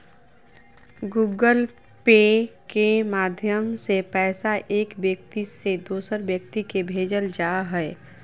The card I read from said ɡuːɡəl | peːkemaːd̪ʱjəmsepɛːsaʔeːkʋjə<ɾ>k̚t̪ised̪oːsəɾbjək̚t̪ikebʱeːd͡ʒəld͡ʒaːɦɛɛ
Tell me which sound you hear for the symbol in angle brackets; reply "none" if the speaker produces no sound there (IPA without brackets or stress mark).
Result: none